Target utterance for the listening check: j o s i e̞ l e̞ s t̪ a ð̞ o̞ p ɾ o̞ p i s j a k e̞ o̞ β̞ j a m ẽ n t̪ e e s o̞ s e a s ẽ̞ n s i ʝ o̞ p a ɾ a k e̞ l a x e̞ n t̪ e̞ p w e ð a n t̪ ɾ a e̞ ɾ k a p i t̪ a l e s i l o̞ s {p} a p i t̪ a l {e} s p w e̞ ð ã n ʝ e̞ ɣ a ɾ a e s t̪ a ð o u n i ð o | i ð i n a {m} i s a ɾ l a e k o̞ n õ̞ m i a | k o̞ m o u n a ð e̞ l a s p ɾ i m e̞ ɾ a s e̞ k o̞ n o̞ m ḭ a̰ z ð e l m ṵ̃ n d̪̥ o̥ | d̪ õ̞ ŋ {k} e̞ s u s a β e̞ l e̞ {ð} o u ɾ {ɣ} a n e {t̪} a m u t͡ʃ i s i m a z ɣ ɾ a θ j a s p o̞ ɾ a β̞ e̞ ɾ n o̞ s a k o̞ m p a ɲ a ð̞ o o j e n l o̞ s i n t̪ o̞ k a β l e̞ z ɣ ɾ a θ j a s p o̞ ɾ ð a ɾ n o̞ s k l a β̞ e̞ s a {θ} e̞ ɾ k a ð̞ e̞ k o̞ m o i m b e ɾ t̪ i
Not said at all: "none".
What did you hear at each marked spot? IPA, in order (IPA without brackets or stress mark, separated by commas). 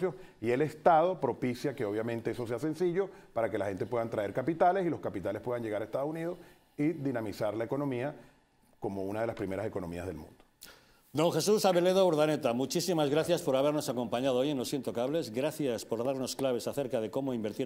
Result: k, e, m, x, ð, ð, t̪, θ